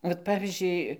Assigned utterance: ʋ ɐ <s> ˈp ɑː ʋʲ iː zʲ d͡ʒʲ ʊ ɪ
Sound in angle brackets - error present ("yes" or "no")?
yes